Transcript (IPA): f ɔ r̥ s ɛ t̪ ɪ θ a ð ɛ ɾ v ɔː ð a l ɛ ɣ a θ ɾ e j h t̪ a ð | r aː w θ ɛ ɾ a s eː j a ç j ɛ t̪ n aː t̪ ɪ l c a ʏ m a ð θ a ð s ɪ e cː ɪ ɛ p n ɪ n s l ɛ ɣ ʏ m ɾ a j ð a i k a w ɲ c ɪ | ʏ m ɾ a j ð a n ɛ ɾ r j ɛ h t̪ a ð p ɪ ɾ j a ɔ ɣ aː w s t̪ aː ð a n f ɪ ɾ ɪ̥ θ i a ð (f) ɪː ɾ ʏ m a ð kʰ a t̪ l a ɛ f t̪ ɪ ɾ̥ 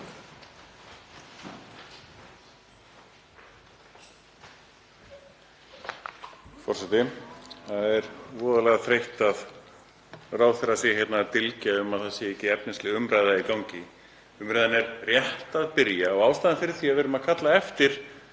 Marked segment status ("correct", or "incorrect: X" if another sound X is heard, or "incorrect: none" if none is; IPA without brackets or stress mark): incorrect: v